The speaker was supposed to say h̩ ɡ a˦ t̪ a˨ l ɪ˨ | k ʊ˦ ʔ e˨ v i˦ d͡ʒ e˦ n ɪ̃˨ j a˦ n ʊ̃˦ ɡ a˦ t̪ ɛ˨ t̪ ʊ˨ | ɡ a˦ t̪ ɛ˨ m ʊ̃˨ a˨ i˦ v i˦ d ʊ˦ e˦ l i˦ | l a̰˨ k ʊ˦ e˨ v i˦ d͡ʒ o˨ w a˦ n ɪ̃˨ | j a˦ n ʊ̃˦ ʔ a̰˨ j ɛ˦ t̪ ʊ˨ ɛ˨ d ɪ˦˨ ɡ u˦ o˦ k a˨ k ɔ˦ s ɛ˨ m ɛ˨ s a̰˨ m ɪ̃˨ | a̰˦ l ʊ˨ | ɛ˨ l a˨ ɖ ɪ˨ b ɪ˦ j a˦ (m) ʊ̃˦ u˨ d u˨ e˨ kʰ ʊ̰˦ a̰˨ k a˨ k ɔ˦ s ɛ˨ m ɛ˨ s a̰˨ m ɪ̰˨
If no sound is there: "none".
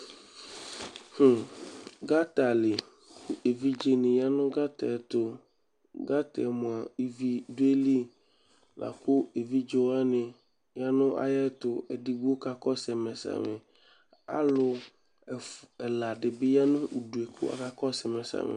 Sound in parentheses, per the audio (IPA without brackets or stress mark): n